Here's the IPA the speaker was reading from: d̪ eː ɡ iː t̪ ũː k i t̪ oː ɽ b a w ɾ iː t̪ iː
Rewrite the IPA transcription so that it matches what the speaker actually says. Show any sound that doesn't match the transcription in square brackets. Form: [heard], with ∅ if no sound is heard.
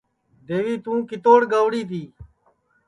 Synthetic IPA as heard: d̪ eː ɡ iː t̪ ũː k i t̪ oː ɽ [ɡ] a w [ɽ] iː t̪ iː